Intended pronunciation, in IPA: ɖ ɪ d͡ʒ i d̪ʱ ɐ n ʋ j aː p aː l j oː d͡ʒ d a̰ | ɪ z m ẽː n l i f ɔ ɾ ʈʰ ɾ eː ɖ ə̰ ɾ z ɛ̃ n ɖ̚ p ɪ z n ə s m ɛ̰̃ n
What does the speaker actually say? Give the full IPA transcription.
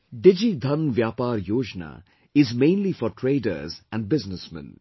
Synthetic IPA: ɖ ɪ d͡ʒ i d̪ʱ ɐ n ʋ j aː p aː ɾ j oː d͡ʒ n a̰ | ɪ z m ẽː n l i f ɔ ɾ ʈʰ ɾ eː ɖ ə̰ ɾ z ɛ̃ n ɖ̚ b ɪ z n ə s m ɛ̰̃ n

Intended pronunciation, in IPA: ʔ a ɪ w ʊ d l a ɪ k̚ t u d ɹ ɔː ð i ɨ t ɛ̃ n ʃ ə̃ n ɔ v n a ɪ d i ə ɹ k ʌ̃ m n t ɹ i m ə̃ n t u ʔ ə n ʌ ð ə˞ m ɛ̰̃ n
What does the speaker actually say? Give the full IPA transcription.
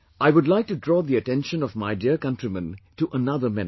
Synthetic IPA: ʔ a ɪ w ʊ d l a ɪ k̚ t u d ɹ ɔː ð i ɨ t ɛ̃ n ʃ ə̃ n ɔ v m a ɪ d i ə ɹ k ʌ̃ n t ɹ i m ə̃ n t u ʔ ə n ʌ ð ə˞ m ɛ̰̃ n

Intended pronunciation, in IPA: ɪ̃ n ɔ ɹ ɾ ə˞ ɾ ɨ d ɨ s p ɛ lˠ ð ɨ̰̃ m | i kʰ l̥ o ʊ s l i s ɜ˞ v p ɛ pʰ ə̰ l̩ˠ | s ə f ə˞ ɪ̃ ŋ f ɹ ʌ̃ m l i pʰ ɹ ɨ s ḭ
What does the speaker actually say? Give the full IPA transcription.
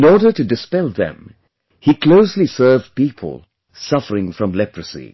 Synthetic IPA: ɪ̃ n ɔ ɹ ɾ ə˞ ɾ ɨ d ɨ s p ɛ lˠ ð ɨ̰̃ m | i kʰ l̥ o ʊ s l i s ɜ˞ v p i pʰ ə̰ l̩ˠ | s ʌ f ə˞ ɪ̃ ŋ f ɹ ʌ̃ m l ɛ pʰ ɹ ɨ s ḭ

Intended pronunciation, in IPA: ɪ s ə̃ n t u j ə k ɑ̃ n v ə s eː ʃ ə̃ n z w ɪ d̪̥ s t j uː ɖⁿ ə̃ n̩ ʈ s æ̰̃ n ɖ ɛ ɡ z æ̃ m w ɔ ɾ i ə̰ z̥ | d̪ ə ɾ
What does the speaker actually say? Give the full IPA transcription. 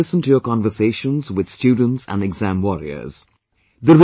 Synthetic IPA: ɪ s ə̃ n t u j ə k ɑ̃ n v ə s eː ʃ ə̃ n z w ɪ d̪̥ s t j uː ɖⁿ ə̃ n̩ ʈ s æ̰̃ n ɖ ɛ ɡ z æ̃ m w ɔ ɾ i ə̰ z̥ | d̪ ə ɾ

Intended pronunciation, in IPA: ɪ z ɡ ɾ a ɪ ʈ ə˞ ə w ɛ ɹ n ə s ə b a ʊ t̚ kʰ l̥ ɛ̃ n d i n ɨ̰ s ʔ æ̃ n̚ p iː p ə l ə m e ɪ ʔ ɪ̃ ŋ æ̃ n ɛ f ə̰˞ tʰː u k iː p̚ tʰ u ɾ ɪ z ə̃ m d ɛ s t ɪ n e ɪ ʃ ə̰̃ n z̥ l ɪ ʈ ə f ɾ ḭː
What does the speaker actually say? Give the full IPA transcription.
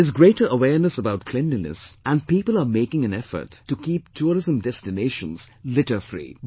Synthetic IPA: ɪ z ɡ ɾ e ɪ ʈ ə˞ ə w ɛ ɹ n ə s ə b a ʊ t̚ kʰ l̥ ɛ̃ n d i n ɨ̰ s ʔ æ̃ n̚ p iː p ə l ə m e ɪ k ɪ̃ ŋ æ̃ n ɛ f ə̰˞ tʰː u k iː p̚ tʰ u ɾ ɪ z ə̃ m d ɛ s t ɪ n e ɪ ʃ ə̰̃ n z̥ l ɪ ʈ ə f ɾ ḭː

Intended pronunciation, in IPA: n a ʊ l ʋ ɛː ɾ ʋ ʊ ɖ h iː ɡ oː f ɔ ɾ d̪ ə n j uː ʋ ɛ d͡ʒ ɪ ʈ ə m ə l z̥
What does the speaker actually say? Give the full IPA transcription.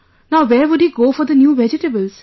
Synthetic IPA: n a ʊ ʋ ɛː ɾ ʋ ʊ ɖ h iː ɡ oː f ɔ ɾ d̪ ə n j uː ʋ ɛ d͡ʒ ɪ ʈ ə b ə l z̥

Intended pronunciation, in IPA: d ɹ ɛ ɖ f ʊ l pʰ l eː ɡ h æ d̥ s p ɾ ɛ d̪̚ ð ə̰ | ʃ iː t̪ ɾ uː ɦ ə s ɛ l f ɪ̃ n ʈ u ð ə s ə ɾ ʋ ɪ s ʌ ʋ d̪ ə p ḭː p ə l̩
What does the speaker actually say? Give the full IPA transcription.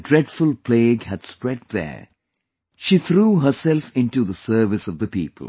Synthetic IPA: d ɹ ɛ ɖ f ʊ l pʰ l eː ɡ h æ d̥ s p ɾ ɛ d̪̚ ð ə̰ | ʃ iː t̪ ɾ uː ɦ ə s ɛ l f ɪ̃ n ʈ u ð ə s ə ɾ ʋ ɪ s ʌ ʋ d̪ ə p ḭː p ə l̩

